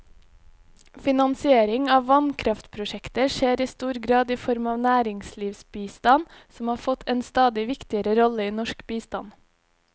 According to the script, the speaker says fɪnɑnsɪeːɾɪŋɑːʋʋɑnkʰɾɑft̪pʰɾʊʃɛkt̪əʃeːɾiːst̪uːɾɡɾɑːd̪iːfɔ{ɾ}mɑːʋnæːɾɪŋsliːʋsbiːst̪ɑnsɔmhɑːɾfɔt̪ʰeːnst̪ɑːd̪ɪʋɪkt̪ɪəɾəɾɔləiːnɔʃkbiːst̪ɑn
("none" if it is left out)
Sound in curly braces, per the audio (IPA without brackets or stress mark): ɾ